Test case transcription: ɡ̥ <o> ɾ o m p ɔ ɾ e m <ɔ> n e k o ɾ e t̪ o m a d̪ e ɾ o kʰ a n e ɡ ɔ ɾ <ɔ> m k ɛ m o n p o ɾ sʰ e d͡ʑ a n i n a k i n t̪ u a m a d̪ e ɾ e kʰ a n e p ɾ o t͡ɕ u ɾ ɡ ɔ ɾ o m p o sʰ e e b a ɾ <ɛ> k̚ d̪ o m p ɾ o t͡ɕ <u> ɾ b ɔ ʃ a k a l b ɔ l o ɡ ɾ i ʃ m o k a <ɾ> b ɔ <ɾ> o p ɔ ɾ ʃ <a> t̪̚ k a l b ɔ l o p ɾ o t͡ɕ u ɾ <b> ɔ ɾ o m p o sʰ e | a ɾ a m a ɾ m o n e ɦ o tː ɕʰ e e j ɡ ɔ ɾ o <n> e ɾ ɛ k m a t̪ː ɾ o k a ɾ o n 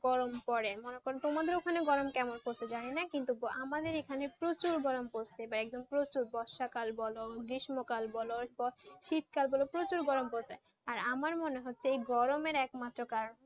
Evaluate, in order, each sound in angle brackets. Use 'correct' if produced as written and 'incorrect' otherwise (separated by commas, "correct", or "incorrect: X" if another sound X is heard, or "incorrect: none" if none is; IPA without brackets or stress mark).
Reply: incorrect: ɔ, incorrect: o, incorrect: o, correct, correct, incorrect: l, incorrect: l, incorrect: i, incorrect: ɡ, incorrect: m